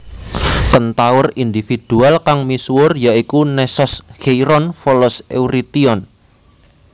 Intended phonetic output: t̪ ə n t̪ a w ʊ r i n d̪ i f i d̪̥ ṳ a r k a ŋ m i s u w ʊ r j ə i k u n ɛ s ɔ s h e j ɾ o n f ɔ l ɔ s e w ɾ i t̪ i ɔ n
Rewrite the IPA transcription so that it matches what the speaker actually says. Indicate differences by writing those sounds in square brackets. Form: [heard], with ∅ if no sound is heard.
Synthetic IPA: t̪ ə n t̪ a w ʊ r i n d̪ i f i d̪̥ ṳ a [l] k a ŋ m i s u w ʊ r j [a] i k u n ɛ s ɔ s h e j ɾ [ɔ] n f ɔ l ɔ s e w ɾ i t̪ i ɔ n

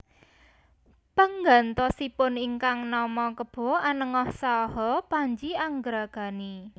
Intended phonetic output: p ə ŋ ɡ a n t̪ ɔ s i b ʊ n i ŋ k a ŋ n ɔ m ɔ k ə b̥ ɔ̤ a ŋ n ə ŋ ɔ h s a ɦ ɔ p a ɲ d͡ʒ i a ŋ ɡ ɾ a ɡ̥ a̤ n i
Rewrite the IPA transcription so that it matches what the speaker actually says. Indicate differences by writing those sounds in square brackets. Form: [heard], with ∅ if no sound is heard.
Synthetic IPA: p ə ŋ ɡ a n t̪ ɔ s i [p] ʊ n i ŋ k a ŋ n ɔ m ɔ k ə b̥ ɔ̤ a [∅] n ə ŋ ɔ h s a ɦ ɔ p a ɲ d͡ʒ i a ŋ ɡ ɾ a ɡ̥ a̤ n i

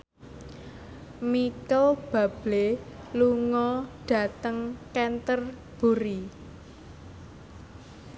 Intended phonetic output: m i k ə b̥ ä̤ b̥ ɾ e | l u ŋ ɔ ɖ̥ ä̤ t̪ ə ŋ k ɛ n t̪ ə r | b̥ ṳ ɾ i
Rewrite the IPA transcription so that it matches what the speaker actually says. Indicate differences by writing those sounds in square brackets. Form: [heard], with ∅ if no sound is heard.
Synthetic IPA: m i k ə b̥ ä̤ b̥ [l] e | l u ŋ ɔ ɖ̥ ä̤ t̪ ə ŋ k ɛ n t̪ ə r | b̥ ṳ ɾ i

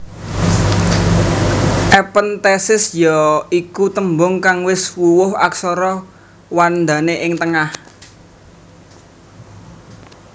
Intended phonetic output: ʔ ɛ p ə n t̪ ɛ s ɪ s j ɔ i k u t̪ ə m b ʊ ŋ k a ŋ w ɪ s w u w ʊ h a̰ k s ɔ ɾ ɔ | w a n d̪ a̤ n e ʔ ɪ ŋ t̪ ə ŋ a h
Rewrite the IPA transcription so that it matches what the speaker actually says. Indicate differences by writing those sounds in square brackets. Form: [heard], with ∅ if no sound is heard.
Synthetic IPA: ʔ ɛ p ə n t̪ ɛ s ɪ s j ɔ i k u t̪ ə m b ʊ ŋ k a ŋ w ɪ s w u w ʊ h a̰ k s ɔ ɾ ɔ | w a n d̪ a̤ n e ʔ ɪ ŋ t̪ ə ŋ a h

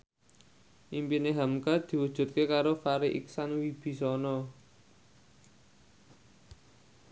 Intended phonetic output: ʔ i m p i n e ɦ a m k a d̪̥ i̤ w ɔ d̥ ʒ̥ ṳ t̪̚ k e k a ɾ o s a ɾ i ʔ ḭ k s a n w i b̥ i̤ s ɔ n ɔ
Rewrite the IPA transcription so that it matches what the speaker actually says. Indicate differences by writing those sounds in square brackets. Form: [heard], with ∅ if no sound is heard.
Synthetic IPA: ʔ i m p i n e ɦ a m k a d̪̥ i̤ w [u] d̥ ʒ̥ ṳ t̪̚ k e k a ɾ o [f] a ɾ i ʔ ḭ k s a n w i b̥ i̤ s ɔ n ɔ

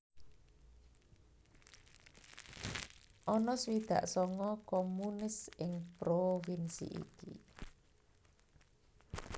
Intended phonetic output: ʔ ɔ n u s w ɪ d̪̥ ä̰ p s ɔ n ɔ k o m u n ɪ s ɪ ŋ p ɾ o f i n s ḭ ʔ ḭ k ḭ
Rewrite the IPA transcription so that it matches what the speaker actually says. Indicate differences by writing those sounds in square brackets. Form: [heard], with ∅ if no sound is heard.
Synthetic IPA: ʔ ɔ n [ɔ] s w [i] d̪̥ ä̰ [ʔ] s ɔ [ŋ] ɔ k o m u n ɪ s ɪ ŋ p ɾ o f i n s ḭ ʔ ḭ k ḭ

